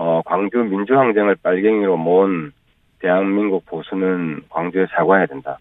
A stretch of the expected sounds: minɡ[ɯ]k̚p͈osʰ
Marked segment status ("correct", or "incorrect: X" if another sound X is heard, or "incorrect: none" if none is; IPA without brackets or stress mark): incorrect: u